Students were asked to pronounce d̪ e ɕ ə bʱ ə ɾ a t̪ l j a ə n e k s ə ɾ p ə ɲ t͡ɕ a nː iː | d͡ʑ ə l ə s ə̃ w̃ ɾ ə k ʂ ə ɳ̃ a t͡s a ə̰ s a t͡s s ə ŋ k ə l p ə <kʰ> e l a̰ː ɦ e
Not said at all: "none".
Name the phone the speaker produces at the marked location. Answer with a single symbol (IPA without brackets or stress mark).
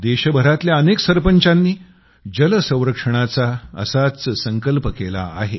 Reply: k